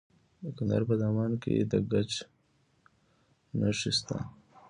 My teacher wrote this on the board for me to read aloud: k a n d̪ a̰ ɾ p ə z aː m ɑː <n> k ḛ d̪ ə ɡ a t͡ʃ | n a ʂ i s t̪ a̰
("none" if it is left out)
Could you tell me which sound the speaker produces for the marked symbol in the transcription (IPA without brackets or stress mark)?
n